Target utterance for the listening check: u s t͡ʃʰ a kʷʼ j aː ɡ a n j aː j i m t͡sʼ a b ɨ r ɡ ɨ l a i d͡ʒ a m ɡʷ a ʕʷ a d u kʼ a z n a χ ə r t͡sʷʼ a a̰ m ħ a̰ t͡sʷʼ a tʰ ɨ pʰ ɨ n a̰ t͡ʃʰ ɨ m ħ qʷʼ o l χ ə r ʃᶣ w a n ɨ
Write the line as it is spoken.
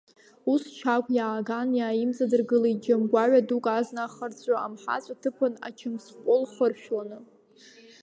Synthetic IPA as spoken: u s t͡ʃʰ a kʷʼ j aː ɡ a n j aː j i m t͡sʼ a d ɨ r ɡ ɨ l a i d͡ʒ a m ɡʷ a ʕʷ a d u kʼ a z n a χ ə r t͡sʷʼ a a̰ m ħ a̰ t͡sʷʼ a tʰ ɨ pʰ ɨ n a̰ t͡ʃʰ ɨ m s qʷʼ o l χ ə r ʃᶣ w a n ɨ